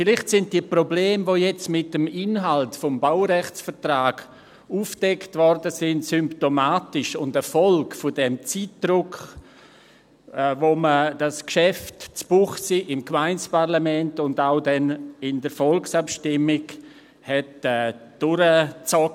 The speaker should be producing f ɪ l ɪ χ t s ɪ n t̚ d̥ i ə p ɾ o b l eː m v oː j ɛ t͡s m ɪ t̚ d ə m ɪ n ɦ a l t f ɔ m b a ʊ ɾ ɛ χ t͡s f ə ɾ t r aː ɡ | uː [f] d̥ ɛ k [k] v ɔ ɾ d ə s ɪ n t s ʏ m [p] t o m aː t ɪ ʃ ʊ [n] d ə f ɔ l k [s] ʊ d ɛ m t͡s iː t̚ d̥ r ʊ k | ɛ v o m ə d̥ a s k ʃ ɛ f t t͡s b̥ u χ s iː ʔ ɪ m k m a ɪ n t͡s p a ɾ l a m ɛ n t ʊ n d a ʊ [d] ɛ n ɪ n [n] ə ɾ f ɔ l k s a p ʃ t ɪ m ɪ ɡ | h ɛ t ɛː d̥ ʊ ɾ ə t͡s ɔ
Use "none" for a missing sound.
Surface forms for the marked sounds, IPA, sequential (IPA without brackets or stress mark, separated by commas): f, t, p, n, f, d, d